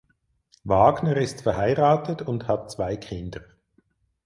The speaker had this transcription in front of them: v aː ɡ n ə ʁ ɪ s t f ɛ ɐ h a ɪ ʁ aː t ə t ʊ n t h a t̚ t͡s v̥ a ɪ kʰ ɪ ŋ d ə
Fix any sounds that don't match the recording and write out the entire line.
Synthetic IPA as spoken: v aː ɡ n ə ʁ ɪ s t f ɛ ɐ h a ɪ ʁ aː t ə t ʊ n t h a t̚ t͡s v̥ a ɪ kʰ ɪ n d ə